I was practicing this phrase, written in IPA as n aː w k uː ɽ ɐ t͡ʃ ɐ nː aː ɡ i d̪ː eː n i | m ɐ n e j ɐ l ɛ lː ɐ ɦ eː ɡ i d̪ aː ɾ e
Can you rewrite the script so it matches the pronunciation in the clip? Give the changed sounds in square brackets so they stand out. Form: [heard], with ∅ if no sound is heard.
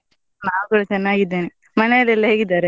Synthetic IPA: n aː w k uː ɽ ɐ t͡ʃ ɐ nː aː ɡ i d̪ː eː n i | m ɐ n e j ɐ l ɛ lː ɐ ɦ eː ɡ i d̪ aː ɾ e